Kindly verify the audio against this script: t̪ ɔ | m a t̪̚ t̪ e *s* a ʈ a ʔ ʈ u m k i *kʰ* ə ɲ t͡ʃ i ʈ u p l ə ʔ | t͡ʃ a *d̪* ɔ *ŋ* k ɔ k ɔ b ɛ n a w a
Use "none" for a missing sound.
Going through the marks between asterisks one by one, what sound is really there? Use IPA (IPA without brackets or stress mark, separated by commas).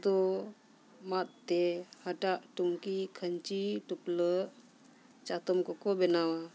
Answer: h, kʰ, t̪, m